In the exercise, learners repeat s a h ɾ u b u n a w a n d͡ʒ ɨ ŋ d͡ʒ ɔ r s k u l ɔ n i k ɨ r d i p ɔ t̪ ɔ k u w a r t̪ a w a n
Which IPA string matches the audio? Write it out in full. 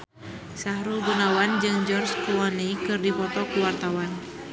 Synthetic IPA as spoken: s a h ɾ u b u n a w a n d͡ʒ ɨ ŋ d͡ʒ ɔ r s k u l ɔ n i k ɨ r d i p ɔ t̪ ɔ k u w a r t̪ a w a n